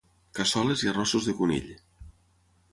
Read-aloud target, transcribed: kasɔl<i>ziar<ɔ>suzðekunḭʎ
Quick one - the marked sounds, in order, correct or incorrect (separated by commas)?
incorrect, correct